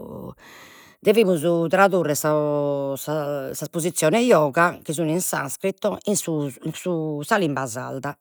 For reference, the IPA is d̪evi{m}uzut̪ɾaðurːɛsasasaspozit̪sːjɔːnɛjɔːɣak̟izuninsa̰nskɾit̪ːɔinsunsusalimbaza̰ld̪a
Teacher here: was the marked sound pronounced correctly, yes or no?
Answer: yes